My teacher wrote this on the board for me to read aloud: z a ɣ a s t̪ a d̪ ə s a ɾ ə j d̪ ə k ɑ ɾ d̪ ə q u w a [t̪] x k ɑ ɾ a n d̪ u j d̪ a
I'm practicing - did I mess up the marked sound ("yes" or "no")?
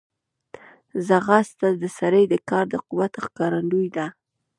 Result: no